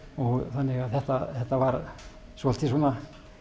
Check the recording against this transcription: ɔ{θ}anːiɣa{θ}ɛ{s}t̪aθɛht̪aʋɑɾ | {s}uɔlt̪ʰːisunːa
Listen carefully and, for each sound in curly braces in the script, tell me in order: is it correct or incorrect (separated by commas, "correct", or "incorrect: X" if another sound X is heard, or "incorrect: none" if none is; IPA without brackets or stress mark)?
correct, correct, incorrect: h, correct